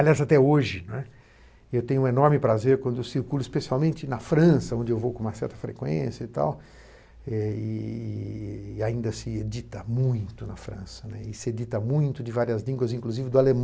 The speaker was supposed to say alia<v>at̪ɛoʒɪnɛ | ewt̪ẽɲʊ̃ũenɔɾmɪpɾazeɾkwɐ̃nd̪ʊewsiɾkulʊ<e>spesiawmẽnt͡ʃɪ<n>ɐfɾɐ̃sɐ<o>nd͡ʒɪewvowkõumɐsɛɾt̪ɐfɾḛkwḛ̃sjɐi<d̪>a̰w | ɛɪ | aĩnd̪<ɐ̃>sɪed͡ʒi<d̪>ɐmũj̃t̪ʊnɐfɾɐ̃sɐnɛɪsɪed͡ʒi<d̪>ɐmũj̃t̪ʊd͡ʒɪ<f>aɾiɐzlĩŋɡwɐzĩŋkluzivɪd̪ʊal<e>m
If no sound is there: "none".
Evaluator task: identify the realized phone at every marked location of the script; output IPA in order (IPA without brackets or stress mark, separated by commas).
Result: z, i, n, õ, t̪, ɐ, t̪, t̪, v, e